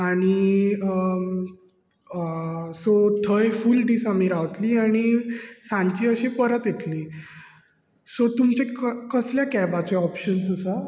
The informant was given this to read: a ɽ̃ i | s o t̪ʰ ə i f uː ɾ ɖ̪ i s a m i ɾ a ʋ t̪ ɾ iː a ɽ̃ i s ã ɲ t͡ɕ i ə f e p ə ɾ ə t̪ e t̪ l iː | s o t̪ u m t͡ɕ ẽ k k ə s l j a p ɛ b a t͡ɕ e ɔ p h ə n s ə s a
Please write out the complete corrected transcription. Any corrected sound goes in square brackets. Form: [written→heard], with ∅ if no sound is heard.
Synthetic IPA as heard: a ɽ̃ i | s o t̪ʰ ə [i→j] f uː [ɾ→l] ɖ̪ i s a m i ɾ a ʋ t̪ [ɾ→l] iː a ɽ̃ i s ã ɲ t͡ɕ i ə [f→ɕ] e p ə ɾ ə t̪ e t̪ l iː | s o t̪ u m t͡ɕ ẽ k k ə s l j a [p→k] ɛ b a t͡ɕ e ɔ p [h→ɕ] ə n s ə s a